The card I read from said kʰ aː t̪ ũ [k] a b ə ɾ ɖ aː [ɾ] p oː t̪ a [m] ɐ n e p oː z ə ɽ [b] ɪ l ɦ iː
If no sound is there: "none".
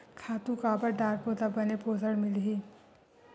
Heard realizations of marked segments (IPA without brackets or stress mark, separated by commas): k, ɾ, b, m